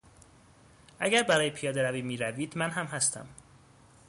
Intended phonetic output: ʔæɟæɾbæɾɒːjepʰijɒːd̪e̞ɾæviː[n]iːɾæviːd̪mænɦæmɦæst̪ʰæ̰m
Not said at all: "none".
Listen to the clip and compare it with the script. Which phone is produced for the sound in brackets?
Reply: m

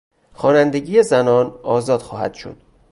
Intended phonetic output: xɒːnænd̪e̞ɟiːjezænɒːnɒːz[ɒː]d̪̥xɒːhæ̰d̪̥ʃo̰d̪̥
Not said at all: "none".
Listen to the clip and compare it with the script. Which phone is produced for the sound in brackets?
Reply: ɒː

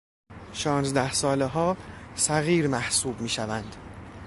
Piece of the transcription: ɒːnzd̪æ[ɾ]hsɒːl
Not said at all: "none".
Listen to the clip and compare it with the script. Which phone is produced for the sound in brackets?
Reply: none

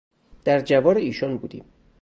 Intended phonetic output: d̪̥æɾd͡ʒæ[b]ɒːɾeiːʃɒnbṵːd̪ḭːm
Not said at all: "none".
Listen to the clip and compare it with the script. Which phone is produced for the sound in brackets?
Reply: v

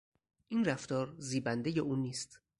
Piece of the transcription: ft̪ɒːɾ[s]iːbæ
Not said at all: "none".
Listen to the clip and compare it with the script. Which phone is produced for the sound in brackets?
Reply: z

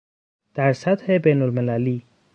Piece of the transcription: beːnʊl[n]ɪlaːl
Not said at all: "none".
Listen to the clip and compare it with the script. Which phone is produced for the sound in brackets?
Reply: m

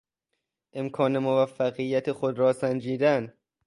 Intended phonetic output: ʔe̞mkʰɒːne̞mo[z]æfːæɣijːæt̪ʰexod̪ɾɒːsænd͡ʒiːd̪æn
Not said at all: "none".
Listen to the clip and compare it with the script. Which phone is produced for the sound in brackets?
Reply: v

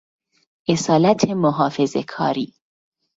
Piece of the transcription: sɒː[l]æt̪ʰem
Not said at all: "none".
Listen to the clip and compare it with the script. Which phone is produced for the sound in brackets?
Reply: l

